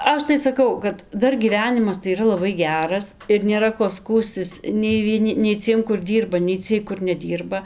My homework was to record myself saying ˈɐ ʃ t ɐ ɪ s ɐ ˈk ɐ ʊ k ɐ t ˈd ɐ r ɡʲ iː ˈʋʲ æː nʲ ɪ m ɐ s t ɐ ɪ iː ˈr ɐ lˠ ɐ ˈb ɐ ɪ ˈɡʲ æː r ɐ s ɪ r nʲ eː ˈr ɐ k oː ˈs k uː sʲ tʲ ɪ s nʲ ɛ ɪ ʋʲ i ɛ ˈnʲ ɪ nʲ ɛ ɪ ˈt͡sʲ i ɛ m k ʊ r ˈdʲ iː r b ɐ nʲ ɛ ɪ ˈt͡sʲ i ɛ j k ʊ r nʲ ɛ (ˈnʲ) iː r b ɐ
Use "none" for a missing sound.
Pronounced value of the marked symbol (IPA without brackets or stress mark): dʲ